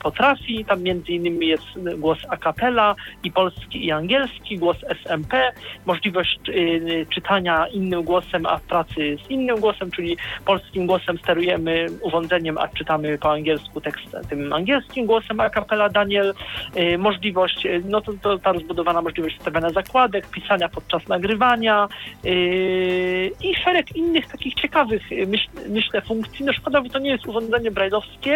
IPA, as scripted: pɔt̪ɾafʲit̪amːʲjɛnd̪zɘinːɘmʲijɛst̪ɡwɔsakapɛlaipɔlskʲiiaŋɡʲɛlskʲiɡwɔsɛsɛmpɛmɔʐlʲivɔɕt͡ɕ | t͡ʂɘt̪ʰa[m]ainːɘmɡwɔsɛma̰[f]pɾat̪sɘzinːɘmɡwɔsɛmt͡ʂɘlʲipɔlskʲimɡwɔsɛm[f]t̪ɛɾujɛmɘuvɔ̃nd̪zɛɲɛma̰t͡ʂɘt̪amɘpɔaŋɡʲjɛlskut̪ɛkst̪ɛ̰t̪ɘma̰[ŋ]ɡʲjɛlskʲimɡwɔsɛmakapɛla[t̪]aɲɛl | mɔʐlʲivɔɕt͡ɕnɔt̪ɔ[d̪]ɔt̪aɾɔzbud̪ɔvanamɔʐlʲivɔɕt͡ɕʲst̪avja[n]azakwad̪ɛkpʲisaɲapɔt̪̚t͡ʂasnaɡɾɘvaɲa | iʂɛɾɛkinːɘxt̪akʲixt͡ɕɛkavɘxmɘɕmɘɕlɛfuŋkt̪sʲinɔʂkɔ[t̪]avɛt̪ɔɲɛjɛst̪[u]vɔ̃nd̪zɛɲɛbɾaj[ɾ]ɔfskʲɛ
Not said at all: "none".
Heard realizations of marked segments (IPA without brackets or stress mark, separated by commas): ɲ, f, s, ŋ, d̪, t̪, ɲ, d̪, u, l